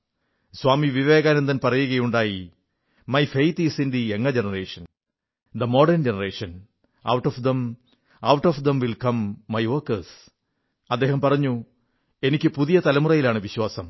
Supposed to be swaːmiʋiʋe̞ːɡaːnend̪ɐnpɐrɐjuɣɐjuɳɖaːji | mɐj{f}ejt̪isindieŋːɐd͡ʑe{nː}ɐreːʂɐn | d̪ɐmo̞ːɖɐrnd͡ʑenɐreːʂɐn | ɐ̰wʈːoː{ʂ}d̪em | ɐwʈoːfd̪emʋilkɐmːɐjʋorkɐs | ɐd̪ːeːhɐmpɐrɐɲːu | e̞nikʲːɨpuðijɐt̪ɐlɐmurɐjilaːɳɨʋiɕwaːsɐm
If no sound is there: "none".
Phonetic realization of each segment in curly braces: f, n, f

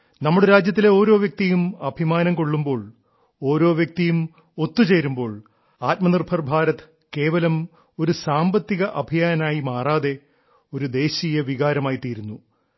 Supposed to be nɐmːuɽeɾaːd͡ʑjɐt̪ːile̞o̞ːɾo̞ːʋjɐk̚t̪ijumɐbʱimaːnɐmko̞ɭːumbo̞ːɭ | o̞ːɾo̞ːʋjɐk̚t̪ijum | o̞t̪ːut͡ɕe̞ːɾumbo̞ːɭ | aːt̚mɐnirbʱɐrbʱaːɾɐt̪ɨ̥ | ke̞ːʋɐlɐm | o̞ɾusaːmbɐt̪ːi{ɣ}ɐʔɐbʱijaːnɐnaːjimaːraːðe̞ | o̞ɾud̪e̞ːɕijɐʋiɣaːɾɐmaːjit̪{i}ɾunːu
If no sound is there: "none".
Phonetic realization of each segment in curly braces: ɣ, iː

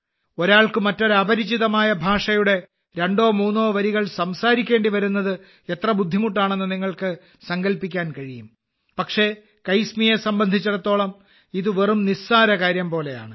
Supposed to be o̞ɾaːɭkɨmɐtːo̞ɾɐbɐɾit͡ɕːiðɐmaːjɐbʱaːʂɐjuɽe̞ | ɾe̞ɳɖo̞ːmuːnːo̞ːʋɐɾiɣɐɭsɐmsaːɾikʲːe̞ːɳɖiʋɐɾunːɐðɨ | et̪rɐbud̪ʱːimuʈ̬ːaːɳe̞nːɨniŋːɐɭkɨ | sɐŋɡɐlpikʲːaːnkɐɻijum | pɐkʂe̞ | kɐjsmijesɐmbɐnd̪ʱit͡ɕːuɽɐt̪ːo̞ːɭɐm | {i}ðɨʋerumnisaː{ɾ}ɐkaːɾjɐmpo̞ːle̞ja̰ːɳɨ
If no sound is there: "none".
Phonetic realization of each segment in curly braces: i, ɾ

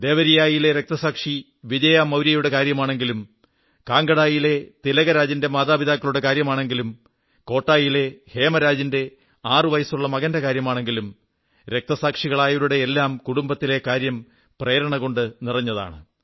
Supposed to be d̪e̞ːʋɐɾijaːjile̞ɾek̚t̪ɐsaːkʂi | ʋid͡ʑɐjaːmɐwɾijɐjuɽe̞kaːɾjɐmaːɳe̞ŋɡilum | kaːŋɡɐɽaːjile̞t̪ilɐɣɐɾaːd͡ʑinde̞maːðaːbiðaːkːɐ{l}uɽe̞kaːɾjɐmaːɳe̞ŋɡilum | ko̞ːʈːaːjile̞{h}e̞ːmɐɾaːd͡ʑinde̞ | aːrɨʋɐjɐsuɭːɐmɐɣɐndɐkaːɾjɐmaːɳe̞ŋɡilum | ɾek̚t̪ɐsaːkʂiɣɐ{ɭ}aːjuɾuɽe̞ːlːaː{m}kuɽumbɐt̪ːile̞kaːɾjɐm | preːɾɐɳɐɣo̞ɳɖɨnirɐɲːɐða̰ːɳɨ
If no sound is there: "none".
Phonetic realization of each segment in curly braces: ɭ, h, ɭ, m

